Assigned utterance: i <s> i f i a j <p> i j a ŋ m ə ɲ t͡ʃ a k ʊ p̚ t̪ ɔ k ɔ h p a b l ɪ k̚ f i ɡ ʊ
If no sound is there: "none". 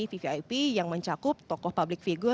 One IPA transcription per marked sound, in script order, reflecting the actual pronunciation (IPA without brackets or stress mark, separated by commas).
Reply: f, p